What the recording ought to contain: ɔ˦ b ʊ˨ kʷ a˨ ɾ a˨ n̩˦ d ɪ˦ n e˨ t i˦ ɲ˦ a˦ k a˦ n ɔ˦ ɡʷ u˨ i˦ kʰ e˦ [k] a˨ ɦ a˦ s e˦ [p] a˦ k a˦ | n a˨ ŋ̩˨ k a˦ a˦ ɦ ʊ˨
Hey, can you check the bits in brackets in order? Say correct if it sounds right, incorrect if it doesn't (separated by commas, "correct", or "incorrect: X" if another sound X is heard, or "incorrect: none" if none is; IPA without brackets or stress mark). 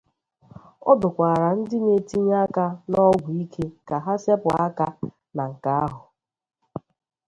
correct, correct